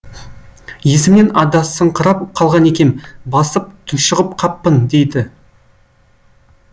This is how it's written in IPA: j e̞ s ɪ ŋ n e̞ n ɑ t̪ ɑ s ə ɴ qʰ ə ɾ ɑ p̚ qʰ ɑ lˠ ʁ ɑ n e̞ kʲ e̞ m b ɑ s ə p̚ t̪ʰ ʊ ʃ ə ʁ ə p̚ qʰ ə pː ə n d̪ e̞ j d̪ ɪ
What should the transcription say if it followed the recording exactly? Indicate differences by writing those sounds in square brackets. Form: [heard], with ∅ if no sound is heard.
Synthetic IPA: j e̞ s ɪ [m] n e̞ n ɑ [d̪] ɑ s ə ɴ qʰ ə ɾ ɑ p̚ qʰ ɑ lˠ ʁ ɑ n e̞ kʲ e̞ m b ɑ s ə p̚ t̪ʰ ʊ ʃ ə ʁ ə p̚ qʰ [ɑ] pː ə n d̪ e̞ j d̪ ɪ